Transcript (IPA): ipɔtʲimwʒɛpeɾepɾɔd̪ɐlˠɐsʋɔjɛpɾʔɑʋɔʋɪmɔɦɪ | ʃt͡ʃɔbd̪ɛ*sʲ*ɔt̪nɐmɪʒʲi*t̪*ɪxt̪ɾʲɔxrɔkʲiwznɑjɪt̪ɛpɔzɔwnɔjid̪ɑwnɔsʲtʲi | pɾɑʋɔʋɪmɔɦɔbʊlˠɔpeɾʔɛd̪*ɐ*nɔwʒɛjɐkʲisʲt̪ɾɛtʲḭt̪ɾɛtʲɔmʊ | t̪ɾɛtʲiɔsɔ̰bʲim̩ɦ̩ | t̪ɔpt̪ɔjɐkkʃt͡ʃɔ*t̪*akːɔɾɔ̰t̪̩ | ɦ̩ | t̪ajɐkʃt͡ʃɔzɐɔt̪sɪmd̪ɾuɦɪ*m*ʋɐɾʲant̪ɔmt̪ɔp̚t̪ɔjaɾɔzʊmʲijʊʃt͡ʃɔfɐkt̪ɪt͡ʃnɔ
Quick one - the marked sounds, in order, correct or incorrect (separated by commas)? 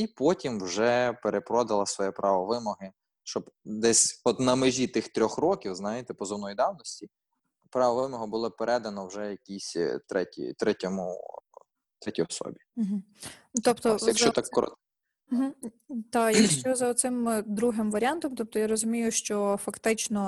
correct, correct, correct, correct, correct